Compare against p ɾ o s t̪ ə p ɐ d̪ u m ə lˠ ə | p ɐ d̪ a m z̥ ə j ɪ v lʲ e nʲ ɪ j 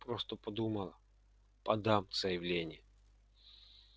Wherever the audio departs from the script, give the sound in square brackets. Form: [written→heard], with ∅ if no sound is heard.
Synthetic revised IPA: p ɾ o s t̪ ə p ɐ d̪ u m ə lˠ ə | p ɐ d̪ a m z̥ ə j ɪ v lʲ e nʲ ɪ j

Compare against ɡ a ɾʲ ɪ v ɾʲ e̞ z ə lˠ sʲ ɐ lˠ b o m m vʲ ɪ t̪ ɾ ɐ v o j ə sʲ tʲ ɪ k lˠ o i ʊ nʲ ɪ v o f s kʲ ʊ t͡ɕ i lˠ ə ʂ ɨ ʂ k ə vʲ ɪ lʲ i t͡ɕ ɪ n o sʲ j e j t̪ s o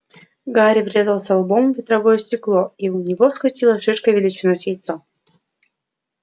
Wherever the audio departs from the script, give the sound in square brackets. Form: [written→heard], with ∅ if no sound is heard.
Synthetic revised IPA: ɡ a ɾʲ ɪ v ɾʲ e̞ z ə lˠ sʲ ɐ lˠ b o m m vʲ ɪ t̪ ɾ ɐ v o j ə sʲ tʲ ɪ k lˠ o i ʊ nʲ ɪ v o f s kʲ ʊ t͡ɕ i lˠ ə ʂ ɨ ʂ k ə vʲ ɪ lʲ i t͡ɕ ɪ n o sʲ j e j t̪ s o

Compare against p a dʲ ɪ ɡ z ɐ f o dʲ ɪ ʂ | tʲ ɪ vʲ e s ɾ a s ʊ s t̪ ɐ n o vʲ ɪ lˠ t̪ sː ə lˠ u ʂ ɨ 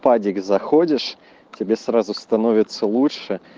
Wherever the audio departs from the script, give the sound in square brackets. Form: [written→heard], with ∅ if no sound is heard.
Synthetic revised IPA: p a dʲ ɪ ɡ z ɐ [f→x] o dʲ ɪ ʂ | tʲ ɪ [vʲ→bʲ] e s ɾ a [s→z] ʊ s t̪ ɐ n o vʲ ɪ [lˠ→∅] t̪ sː ə lˠ u ʂ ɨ

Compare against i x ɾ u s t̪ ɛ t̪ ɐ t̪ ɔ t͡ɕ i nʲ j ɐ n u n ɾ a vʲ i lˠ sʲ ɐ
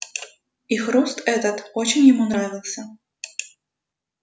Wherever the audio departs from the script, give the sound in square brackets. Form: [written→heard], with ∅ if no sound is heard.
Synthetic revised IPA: i x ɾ u s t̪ ɛ t̪ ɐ t̪ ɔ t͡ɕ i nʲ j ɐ [n→m] u n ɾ a vʲ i lˠ sʲ ɐ

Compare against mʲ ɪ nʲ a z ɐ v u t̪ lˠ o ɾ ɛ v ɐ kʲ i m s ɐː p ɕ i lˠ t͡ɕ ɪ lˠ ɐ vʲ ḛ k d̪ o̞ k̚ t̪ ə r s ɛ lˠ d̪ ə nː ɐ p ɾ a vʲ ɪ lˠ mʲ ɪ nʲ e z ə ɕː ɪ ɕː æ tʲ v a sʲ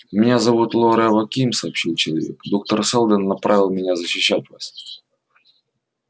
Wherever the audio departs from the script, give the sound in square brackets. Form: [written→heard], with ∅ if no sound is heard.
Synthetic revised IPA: mʲ ɪ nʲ a z ɐ v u t̪ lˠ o ɾ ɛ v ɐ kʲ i m s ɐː p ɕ i lˠ t͡ɕ ɪ lˠ ɐ vʲ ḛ k d̪ o̞ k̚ t̪ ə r s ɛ lˠ d̪ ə nː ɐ p ɾ a vʲ ɪ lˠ mʲ ɪ nʲ [e→a] z ə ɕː ɪ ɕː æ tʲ v a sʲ

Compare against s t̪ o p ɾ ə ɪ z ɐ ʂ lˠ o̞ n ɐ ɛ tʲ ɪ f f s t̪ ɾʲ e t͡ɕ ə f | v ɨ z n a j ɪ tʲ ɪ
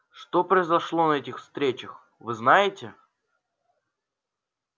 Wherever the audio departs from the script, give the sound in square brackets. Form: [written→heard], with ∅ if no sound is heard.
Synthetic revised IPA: [s→ʂ] t̪ o p ɾ ə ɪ z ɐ ʂ lˠ o̞ n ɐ ɛ tʲ ɪ [f→x] f s t̪ ɾʲ e t͡ɕ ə [f→x] | v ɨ z n a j ɪ tʲ ɪ

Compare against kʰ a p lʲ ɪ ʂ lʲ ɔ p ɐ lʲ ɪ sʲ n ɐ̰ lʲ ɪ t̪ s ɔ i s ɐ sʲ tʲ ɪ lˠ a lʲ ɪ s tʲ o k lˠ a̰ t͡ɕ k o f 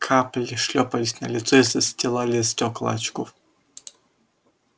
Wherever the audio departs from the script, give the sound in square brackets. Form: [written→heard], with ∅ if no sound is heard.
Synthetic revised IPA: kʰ a p lʲ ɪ ʂ lʲ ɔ p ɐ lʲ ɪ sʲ n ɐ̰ lʲ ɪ t̪ s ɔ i s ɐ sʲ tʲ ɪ lˠ a lʲ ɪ s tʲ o k lˠ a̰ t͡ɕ k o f

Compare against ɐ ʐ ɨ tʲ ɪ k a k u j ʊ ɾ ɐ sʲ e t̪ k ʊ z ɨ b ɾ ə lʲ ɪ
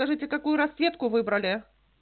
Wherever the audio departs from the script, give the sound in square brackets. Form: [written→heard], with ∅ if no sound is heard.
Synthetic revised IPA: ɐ ʐ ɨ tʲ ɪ k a k u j ʊ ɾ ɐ sʲ e t̪ k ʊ [z→v] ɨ b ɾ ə lʲ ɪ

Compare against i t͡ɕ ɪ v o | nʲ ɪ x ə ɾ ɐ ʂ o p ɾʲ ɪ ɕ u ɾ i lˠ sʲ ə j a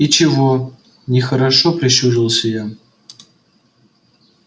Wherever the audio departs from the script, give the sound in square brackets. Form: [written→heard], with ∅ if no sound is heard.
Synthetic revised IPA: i t͡ɕ ɪ v o | nʲ ɪ x ə ɾ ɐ ʂ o p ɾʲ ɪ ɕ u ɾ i lˠ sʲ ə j a

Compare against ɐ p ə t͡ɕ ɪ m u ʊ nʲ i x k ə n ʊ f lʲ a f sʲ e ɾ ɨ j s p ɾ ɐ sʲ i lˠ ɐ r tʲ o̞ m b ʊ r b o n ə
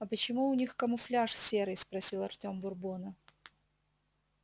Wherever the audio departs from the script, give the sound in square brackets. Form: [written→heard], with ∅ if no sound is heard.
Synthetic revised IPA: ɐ p ə t͡ɕ ɪ m u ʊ nʲ i x k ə [n→m] ʊ f lʲ a [f→ʂ] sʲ e ɾ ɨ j s p ɾ ɐ sʲ i lˠ ɐ r tʲ o̞ m b ʊ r b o n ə

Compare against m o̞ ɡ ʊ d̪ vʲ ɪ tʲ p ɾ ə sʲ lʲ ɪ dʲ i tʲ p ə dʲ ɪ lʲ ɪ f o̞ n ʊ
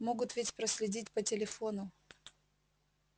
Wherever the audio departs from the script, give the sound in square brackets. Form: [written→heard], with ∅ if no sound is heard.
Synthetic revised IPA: m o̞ ɡ ʊ [d̪→t̪] vʲ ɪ tʲ p ɾ ə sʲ lʲ ɪ dʲ i tʲ p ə [dʲ→tʲ] ɪ lʲ ɪ f o̞ n ʊ

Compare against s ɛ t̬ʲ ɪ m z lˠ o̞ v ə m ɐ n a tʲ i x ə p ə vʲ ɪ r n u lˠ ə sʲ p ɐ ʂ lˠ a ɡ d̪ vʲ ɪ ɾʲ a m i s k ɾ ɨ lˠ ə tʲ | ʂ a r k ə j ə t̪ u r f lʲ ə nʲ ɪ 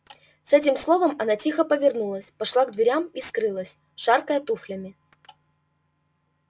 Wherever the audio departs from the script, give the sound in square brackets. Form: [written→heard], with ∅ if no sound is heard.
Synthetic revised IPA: s ɛ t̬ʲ ɪ m [z→s] lˠ o̞ v ə m ɐ n a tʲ i x ə p ə vʲ ɪ r n u lˠ ə sʲ p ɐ ʂ lˠ a ɡ d̪ vʲ ɪ ɾʲ a m i s k ɾ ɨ lˠ ə [tʲ→sʲ] | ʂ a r k ə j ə t̪ u [r→∅] f lʲ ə [nʲ→mʲ] ɪ

